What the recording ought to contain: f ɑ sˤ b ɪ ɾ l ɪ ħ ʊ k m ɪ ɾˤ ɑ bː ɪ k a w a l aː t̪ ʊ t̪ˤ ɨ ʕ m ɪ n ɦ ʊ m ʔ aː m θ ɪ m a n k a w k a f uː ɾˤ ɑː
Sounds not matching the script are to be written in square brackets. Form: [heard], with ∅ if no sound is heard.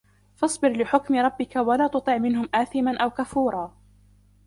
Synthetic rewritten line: f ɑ sˤ b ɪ ɾ l ɪ ħ ʊ k m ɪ ɾˤ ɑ bː ɪ k a w a l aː t̪ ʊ t̪ˤ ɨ ʕ m ɪ n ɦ ʊ m ʔ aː [∅] θ ɪ m a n [ʔ] a w k a f uː ɾˤ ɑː